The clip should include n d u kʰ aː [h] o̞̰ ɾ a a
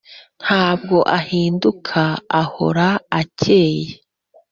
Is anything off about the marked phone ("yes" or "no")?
no